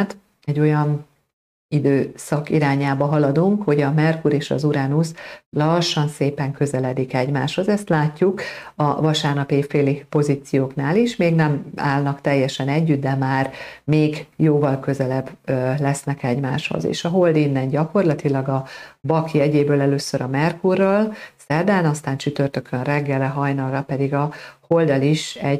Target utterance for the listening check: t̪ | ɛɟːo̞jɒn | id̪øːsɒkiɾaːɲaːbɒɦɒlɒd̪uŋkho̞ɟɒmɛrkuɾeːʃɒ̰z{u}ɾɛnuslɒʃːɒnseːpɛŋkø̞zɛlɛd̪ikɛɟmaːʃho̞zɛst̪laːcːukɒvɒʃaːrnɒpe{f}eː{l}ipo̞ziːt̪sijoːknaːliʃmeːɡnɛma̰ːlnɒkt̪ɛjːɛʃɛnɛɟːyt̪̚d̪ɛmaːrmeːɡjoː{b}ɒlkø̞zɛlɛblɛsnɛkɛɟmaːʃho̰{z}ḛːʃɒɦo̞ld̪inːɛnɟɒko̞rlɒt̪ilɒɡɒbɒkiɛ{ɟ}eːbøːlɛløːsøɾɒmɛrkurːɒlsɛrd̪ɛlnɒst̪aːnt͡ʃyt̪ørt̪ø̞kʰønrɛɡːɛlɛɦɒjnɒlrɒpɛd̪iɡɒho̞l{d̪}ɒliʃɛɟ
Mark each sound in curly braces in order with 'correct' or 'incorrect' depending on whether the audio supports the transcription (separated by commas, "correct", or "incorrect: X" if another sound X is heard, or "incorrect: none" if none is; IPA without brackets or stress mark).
correct, correct, correct, incorrect: v, correct, correct, correct